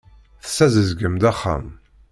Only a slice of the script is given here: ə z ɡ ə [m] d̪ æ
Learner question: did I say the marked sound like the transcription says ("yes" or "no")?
yes